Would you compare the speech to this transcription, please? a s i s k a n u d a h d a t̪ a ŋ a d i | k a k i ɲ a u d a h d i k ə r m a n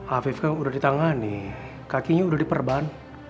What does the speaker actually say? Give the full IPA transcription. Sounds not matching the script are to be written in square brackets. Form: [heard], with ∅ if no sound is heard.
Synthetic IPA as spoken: a [f] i [f] k a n u d a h d [i] t̪ a ŋ a [n] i | k a k i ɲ a u d a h d i [p] ə r [b] a n